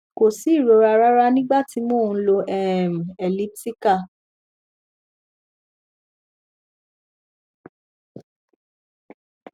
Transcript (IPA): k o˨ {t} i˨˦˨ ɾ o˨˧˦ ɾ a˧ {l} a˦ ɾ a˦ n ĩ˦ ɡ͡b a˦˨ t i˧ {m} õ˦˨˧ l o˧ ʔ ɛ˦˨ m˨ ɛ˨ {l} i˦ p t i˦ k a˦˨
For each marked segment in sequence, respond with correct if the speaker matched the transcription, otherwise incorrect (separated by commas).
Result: incorrect, incorrect, correct, correct